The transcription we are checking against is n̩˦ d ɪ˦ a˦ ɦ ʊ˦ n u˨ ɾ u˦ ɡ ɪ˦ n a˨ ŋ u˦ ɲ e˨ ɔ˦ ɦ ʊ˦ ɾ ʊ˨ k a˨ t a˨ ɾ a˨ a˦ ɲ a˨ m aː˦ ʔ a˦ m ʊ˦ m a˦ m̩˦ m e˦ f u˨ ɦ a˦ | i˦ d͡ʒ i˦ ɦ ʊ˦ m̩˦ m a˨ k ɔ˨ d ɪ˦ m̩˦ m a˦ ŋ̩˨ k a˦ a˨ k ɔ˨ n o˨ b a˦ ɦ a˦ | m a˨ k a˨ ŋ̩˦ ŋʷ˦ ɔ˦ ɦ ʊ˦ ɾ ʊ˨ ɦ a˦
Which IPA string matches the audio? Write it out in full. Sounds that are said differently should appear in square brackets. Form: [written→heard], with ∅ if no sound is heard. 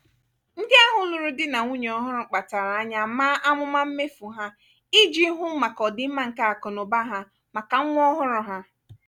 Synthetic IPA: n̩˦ d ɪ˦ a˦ ɦ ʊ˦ n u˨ ɾ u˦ [ɡ→d] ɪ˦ n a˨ ŋ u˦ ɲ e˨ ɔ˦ ɦ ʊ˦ ɾ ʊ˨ [k→k͡p] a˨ t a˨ ɾ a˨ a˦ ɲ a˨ m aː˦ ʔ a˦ m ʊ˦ m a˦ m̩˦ m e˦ f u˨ ɦ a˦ | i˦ d͡ʒ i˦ ɦ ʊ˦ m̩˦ m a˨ k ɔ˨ d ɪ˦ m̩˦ m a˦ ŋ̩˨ k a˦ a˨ k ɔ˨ n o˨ b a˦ ɦ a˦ | m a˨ k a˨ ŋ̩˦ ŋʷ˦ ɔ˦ ɦ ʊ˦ ɾ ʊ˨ ɦ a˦